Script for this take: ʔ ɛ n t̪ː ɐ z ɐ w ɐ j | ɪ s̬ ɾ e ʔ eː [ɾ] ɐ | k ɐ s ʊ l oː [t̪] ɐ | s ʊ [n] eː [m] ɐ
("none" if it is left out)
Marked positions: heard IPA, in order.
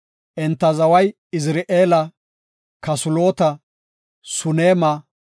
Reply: l, t̪, n, m

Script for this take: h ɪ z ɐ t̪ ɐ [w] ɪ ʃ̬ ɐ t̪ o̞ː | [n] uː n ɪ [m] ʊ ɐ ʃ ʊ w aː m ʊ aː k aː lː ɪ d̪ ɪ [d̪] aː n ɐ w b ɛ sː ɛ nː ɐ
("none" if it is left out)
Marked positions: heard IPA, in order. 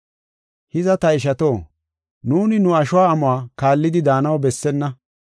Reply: none, n, n, d̪

